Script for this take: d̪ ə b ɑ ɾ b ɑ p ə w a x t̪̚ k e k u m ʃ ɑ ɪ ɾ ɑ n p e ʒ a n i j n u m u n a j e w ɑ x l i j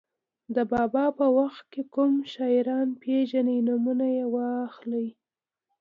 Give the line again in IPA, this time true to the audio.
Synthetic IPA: d̪ ə b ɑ b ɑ p ə w a x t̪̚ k e k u m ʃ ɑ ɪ ɾ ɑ n p e ʒ a n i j n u m u n a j e w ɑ x l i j